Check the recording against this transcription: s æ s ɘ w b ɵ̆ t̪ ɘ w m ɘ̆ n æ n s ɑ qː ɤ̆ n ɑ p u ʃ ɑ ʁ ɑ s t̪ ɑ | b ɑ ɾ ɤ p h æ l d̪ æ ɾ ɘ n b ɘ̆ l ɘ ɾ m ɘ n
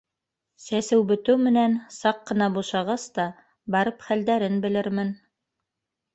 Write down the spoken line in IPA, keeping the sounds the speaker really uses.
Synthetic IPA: s æ s ɘ w b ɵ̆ t̪ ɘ w m ɘ̆ n æ n s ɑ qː ɤ̆ n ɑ b u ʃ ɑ ʁ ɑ s t̪ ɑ | b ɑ ɾ ɤ p χ æ l d̪ æ ɾ ɘ n b ɘ̆ l ɘ ɾ m ɘ n